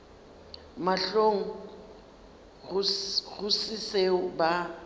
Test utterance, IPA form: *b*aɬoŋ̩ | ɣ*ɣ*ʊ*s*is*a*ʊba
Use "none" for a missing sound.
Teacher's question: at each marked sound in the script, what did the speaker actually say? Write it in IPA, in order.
m, ɣ, s, e

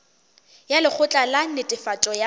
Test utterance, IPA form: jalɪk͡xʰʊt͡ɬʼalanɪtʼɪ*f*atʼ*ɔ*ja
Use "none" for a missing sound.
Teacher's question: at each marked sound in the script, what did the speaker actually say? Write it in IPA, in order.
f, ɔ

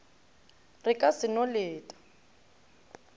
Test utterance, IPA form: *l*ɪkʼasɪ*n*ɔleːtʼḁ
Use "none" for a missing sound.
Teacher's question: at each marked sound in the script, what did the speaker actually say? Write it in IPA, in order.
r, n

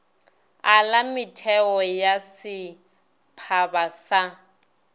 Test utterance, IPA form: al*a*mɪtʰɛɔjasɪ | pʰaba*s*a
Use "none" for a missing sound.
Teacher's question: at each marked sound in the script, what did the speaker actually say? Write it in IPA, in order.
a, s

